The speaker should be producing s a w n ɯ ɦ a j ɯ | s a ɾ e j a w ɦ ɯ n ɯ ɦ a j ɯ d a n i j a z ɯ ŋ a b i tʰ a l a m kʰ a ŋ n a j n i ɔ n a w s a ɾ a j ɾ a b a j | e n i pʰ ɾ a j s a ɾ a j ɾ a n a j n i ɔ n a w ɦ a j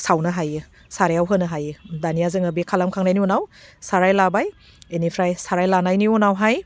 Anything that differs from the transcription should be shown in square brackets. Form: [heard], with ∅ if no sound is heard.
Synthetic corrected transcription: s a w n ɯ ɦ a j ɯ | s a ɾ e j a w ɦ ɯ n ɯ ɦ a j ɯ d a n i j a z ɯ ŋ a b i [kʰ] a l a m kʰ a ŋ n a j n i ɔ n a w s a ɾ a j [l] a b a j | e n i pʰ ɾ a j s a ɾ a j [l] a n a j n i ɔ n a w ɦ a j